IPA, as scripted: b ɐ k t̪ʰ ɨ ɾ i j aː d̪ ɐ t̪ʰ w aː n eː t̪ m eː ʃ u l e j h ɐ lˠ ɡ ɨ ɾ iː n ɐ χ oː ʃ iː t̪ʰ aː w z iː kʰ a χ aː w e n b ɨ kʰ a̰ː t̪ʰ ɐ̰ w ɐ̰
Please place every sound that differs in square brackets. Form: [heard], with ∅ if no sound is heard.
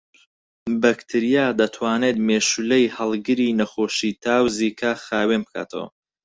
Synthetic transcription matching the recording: b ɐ k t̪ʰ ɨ ɾ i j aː d̪ ɐ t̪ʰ w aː n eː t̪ m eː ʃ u l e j h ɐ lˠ ɡ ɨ ɾ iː n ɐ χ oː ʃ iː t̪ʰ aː w z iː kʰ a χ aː w e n b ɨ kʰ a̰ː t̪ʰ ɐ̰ w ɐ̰

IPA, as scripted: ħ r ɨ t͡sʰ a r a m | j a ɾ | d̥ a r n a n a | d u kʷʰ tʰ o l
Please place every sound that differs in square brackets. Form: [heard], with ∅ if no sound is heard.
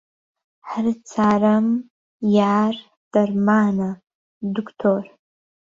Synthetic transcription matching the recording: ħ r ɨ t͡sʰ a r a m | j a [r] | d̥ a r [m] a n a | d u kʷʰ tʰ o [r]

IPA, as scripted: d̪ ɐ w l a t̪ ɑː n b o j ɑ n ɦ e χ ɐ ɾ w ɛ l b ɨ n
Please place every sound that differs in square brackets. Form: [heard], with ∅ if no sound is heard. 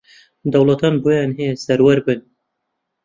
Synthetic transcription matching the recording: d̪ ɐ w l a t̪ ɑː n b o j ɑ n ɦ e [s] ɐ ɾ w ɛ [ɾ] b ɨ n

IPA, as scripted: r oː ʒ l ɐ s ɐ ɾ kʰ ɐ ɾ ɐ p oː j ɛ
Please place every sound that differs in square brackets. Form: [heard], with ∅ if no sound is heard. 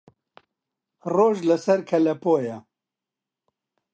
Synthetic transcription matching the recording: r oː ʒ l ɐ s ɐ ɾ kʰ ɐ [l] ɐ p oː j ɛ

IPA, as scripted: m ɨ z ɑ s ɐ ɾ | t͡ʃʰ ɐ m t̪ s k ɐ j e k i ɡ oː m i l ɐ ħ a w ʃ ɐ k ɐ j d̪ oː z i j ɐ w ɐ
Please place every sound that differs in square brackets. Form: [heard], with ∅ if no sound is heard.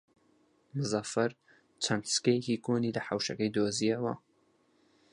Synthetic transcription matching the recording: m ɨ z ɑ [f] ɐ ɾ | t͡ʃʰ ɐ [n] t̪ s k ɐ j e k i [k] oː [n] i l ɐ ħ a w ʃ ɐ k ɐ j d̪ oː z i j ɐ w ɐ

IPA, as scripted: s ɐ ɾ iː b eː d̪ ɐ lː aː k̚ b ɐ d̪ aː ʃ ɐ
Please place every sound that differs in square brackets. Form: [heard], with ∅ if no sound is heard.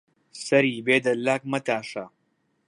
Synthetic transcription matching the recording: s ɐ ɾ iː b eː d̪ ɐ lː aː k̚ [m] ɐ [t̪] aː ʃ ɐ

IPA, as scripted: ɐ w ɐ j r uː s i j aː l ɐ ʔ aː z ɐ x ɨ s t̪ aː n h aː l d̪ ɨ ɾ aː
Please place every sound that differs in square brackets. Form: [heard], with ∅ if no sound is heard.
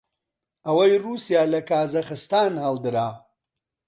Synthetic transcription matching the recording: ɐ w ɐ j r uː s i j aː l ɐ [k] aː z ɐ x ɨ s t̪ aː n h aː l d̪ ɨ ɾ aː

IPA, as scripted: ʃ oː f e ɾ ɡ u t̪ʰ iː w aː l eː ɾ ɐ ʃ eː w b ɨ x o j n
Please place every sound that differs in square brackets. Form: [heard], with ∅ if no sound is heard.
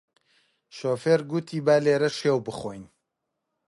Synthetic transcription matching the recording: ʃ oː f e ɾ ɡ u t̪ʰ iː [b] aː l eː ɾ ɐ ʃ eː w b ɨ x o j n

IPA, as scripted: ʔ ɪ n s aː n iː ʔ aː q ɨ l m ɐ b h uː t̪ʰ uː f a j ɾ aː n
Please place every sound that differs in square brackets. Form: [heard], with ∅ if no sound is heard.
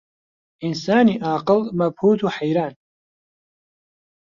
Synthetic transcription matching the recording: ʔ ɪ n s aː n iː ʔ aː q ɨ l m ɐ b h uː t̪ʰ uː [ħ] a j ɾ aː n

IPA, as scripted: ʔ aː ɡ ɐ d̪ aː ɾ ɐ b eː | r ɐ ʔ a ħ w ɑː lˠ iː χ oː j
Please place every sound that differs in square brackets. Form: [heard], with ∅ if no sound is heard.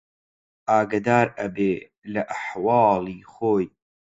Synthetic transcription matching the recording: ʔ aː ɡ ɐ d̪ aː ɾ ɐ b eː | [l] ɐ ʔ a ħ w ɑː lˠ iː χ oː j

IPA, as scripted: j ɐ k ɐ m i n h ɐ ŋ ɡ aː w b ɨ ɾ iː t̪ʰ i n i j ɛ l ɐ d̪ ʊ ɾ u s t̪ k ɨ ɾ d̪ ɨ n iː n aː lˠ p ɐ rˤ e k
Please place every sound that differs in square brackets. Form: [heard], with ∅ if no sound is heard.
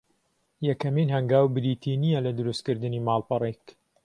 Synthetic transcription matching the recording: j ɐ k ɐ m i n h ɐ ŋ ɡ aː w b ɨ ɾ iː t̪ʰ i n i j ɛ l ɐ d̪ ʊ ɾ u s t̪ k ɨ ɾ d̪ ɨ n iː [m] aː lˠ p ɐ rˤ e k

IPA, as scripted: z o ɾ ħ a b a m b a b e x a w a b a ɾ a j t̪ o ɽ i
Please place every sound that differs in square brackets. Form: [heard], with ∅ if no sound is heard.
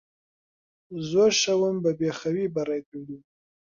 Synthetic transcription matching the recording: z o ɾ [ʃ] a [w] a m b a b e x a w [i] b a ɾ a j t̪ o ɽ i

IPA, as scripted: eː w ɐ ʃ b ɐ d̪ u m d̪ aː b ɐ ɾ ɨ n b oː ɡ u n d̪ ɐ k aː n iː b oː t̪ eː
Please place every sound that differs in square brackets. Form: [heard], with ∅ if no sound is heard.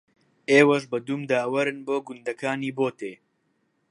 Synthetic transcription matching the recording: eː w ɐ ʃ b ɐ d̪ u m d̪ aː [w] ɐ ɾ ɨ n b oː ɡ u n d̪ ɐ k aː n iː b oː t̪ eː

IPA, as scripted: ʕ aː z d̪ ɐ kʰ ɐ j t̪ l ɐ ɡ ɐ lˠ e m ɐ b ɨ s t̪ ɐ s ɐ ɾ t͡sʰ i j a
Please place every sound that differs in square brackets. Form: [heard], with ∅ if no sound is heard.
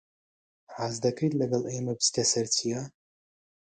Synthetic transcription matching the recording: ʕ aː z d̪ ɐ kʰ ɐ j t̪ l ɐ ɡ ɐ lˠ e m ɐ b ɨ s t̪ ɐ s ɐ ɾ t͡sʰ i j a

